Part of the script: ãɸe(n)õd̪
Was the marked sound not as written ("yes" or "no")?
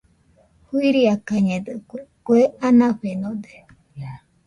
no